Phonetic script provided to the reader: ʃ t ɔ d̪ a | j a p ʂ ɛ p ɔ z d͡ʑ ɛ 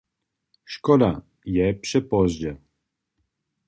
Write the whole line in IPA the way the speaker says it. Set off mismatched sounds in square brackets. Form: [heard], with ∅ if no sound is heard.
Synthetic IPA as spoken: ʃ [k] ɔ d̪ a | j [ɛ] p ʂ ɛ p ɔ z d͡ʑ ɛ